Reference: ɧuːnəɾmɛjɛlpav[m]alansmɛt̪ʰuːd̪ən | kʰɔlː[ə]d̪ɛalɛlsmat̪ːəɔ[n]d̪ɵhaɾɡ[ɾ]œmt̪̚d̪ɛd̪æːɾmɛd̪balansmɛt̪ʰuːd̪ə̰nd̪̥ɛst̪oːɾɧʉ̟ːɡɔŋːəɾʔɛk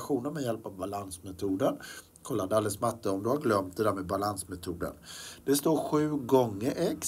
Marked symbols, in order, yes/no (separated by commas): no, no, no, no